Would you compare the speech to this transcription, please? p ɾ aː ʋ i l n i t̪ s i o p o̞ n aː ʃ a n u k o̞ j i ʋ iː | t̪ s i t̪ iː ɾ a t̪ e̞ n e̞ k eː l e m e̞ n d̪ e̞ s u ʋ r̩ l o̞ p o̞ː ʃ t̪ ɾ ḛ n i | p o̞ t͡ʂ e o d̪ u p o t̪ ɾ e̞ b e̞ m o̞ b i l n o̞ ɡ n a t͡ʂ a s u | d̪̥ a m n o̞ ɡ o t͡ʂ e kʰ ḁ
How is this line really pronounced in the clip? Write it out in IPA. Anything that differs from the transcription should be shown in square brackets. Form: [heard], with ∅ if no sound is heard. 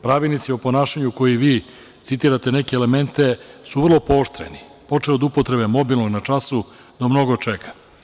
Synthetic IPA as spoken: p ɾ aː ʋ i l n i t̪ s i o p o̞ n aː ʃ a [ɲ] u k o̞ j i ʋ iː | t̪ s i t̪ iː ɾ a t̪ e̞ n e̞ k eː l e m e̞ n [t̪] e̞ s u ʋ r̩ l o̞ p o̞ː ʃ t̪ ɾ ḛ n i | p o̞ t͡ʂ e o d̪ u p o t̪ ɾ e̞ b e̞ m o̞ b i l n o̞ ɡ n a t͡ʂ a s u | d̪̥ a m n o̞ ɡ o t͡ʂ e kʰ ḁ

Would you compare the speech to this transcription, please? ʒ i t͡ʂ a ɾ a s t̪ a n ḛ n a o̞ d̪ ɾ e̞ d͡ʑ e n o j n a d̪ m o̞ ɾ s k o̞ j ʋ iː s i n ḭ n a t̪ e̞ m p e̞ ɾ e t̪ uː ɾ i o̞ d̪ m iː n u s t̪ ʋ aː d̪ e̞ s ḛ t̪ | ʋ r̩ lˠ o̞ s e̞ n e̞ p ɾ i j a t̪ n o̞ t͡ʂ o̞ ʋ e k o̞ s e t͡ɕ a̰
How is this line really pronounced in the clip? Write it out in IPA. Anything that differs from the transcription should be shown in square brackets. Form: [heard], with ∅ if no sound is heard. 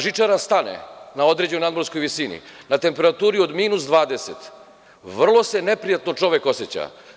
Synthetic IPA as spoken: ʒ i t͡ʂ a ɾ a s t̪ a n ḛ n a o̞ d̪ ɾ e̞ d͡ʑ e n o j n a d̪ m o̞ ɾ s k o̞ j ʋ [i] s i n ḭ n a t̪ e̞ m p e̞ ɾ [a] t̪ uː ɾ i o̞ d̪ m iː n u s [d̪] ʋ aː d̪ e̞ s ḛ t̪ | ʋ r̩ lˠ o̞ s e̞ n e̞ p ɾ i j a t̪ n o̞ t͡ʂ o̞ ʋ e k o̞ s e t͡ɕ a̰

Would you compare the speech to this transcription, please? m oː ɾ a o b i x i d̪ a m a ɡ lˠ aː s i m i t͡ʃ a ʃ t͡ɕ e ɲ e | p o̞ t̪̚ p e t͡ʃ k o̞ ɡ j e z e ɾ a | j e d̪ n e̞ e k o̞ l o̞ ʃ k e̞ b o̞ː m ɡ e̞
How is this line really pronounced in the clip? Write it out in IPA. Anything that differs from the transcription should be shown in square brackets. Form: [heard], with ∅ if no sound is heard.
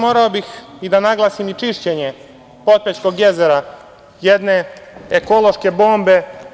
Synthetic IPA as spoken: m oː ɾ a o b i x i d̪ a [n] a ɡ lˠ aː s i m i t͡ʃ [i] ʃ t͡ɕ e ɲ e | p o̞ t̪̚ p e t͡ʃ k o̞ ɡ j e z e ɾ a | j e d̪ n e̞ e k o̞ l o̞ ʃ k e̞ b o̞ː m [b] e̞

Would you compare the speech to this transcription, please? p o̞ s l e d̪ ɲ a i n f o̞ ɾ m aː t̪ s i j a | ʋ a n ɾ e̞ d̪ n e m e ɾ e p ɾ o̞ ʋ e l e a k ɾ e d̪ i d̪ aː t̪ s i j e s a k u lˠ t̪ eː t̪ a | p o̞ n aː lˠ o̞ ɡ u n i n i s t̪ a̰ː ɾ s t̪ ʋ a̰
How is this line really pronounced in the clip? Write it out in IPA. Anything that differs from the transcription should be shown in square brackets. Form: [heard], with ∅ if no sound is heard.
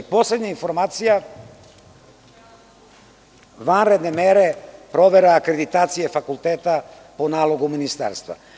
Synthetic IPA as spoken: p o̞ s l e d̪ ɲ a i n f o̞ ɾ m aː t̪ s i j a | ʋ a n ɾ e̞ d̪ n e m e ɾ e p ɾ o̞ ʋ e [ɾ] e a k ɾ e d̪ i [t̪] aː t̪ s i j e [f] a k u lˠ t̪ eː t̪ a | p o̞ n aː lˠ o̞ ɡ u [m] i n i s t̪ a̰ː ɾ s t̪ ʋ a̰

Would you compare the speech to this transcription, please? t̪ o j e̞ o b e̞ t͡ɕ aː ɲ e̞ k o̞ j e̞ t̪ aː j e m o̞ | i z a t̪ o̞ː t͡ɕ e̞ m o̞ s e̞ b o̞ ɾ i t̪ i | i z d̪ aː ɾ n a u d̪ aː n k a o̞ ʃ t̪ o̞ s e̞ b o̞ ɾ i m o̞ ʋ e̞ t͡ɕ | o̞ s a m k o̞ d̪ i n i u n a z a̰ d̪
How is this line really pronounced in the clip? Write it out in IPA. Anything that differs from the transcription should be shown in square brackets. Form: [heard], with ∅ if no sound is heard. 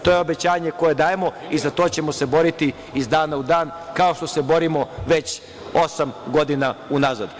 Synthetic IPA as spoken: t̪ o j e̞ o b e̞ t͡ɕ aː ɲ e̞ k o̞ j e̞ [d̪] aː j e m o̞ | i z a t̪ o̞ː t͡ɕ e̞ m o̞ s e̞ b o̞ ɾ i t̪ i | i z d̪ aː [∅] n a u d̪ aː n k a o̞ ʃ t̪ o̞ s e̞ b o̞ ɾ i m o̞ ʋ e̞ t͡ɕ | o̞ s a m [ɡ] o̞ d̪ i n [a] u n a z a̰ d̪

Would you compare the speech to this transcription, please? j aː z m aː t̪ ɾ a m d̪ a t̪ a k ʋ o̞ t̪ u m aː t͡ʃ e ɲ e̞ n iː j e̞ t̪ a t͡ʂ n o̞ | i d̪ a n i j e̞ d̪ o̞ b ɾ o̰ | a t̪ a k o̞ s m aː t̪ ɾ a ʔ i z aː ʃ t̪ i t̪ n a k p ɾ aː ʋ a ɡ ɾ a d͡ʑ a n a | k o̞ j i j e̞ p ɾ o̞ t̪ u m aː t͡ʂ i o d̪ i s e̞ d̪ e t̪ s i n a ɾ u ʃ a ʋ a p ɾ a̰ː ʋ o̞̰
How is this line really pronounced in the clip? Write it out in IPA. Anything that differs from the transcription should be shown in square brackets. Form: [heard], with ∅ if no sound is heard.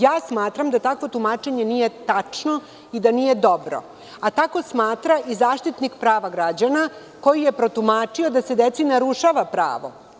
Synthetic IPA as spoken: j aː [s] m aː t̪ ɾ a m d̪ a t̪ a k ʋ o̞ t̪ u m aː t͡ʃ e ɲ e̞ n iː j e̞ t̪ a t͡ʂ n o̞ | i d̪ a n i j e̞ d̪ o̞ b ɾ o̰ | a t̪ a k o̞ s m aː t̪ ɾ a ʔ i z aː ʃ t̪ i t̪ n [i] k p ɾ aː ʋ a ɡ ɾ a d͡ʑ a n a | k o̞ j i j e̞ p ɾ o̞ t̪ u m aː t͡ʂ i o d̪ [a] s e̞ d̪ e t̪ s i n a ɾ u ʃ a ʋ a p ɾ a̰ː ʋ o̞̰

